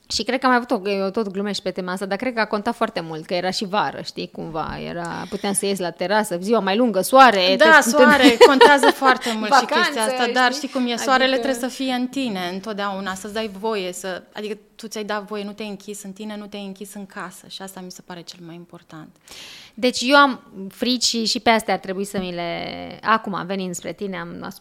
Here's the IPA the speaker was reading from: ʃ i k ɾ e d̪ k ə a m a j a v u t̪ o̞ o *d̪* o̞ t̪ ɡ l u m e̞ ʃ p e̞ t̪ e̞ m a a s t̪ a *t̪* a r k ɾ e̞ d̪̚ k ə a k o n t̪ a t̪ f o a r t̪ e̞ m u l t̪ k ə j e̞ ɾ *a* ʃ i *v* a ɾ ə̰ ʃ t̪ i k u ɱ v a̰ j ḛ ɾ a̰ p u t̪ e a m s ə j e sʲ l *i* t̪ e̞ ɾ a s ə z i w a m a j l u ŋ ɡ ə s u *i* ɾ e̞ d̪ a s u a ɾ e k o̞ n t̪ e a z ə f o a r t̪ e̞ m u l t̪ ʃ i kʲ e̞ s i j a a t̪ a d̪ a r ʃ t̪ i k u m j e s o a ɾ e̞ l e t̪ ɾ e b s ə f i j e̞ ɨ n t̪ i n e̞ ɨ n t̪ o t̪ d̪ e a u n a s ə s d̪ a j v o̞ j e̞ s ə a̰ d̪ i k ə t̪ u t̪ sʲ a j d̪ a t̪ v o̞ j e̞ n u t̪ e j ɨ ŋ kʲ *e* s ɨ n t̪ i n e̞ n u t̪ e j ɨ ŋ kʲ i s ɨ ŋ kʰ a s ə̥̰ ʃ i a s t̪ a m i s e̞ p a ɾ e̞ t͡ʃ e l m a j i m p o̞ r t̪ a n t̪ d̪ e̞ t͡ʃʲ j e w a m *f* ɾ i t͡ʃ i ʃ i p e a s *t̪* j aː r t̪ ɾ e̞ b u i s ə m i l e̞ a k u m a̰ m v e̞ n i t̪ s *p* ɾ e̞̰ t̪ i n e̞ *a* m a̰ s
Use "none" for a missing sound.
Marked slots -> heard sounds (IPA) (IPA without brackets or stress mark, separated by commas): t̪, d̪, a, v, a, a, i, f, t̪, p, a